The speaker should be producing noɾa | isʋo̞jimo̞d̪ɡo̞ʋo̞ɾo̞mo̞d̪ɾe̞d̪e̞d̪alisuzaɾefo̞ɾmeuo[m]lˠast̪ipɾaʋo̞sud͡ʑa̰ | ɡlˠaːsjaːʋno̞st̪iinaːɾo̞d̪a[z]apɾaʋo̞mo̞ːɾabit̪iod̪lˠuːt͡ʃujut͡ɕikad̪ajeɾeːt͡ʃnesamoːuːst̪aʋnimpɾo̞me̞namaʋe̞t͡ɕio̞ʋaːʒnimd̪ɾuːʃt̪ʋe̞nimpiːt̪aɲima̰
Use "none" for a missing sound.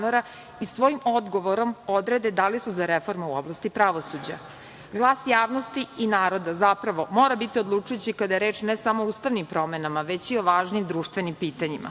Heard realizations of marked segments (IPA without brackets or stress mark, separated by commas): b, z